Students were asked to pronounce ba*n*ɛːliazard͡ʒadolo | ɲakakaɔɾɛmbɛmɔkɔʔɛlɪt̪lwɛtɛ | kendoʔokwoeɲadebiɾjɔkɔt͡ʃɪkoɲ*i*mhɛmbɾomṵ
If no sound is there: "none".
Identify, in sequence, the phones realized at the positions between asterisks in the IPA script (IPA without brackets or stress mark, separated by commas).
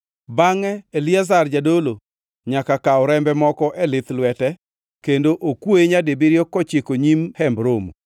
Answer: ŋ, i